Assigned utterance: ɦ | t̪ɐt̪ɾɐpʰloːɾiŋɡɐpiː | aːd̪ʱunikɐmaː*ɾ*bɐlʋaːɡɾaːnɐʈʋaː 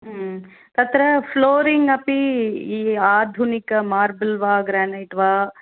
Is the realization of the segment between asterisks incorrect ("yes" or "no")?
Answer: no